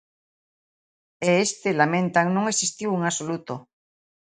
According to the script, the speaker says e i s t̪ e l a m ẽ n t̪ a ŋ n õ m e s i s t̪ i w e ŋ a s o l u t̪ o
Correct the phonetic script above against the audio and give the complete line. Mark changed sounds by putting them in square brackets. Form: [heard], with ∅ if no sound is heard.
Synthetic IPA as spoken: e [e] s t̪ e l a m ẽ n t̪ a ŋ n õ [ŋ] e s i s t̪ i w e ŋ a s o l u t̪ o